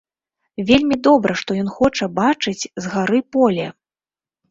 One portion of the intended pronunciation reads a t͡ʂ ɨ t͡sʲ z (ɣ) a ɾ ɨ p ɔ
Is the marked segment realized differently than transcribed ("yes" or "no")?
no